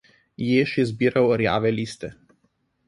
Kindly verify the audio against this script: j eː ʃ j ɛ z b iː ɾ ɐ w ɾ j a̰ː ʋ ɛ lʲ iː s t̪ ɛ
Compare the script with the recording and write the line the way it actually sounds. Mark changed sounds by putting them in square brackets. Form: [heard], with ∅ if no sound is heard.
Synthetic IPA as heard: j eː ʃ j ɛ z b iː ɾ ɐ w ɾ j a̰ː ʋ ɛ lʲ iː s t̪ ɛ